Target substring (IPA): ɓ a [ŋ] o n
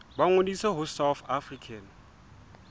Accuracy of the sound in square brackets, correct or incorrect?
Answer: correct